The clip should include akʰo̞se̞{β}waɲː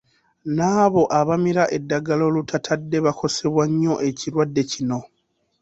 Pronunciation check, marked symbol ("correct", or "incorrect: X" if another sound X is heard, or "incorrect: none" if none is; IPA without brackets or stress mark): correct